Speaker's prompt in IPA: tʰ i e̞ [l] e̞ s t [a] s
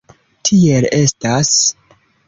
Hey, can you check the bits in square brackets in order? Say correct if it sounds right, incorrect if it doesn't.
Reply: correct, correct

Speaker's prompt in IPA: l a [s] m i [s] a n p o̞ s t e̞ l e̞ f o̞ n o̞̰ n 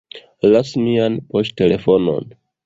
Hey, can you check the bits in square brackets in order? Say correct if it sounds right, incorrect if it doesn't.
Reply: correct, incorrect: none

